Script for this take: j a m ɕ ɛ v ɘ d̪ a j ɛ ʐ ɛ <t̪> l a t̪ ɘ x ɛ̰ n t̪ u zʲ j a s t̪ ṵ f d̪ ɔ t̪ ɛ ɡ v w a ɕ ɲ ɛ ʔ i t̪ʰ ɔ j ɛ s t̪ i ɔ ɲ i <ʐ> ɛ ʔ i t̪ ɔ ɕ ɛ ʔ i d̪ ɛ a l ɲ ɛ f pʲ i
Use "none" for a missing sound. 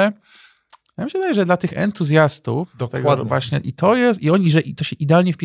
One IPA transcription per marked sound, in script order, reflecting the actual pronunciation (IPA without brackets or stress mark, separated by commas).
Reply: d̪, ʐ